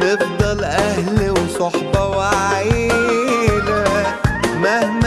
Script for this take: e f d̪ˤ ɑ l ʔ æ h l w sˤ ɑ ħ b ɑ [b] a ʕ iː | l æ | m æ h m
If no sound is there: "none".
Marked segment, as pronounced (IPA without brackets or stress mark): w